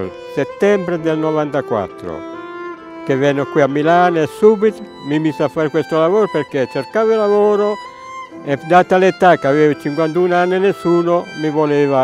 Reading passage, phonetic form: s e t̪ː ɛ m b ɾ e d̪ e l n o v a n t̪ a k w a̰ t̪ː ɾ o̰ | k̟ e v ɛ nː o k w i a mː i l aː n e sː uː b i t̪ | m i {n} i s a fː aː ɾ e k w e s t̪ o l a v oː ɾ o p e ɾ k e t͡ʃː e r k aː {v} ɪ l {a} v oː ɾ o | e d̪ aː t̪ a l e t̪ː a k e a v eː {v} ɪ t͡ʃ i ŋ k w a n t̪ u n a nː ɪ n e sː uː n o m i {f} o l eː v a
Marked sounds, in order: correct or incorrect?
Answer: incorrect, correct, correct, correct, incorrect

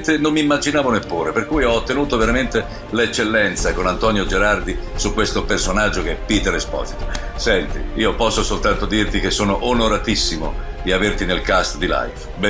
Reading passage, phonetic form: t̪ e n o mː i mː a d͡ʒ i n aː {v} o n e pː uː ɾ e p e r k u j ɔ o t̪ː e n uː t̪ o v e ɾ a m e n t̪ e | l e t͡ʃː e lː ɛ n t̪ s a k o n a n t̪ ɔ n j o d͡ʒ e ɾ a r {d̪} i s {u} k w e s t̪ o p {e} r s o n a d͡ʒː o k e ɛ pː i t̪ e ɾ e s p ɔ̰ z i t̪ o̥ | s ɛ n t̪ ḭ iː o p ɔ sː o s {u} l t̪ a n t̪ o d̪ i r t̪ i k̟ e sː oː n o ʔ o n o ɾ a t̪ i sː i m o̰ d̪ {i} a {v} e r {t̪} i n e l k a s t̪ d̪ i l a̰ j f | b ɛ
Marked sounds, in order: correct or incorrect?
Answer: correct, correct, correct, correct, incorrect, correct, correct, correct

